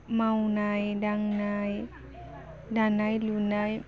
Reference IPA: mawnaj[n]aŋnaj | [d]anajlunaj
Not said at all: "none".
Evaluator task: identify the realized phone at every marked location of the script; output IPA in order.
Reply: d, d

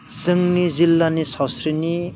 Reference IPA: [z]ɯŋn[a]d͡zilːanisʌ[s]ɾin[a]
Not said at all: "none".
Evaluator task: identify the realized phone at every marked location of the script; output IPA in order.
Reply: s, i, s, i

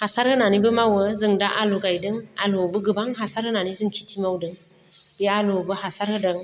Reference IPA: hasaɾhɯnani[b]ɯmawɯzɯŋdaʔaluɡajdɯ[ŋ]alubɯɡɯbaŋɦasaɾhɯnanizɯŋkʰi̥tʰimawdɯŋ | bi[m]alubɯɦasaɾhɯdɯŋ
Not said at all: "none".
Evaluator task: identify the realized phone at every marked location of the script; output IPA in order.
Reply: b, ŋ, none

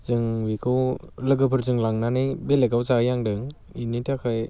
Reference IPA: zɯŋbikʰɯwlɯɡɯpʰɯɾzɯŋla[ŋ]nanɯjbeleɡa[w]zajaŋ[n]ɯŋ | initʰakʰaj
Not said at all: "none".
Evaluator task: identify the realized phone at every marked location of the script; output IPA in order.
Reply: ŋ, w, d

